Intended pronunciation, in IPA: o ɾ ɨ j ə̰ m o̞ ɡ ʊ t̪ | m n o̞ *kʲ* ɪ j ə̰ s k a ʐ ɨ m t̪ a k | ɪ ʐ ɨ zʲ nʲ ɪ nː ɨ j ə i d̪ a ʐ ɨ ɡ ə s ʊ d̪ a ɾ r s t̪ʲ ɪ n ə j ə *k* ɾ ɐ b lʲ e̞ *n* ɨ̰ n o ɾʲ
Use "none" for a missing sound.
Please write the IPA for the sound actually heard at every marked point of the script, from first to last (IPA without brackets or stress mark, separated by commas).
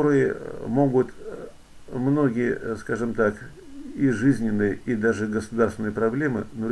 ɡʲ, p, m